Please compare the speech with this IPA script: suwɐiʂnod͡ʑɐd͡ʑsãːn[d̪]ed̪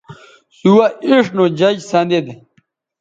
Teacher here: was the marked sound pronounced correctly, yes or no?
yes